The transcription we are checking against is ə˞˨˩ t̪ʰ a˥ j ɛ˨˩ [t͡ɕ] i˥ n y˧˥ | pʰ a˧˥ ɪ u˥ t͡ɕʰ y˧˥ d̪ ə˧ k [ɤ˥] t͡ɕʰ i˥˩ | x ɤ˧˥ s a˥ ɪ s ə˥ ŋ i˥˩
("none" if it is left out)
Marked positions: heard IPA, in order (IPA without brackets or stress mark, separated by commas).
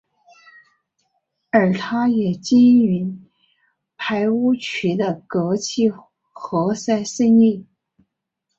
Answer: t͡ɕ, ɤ˧˥